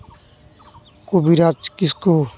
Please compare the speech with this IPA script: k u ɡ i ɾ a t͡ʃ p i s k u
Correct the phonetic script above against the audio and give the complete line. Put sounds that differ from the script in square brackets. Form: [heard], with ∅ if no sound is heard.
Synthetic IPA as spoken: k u [b] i ɾ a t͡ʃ [k] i s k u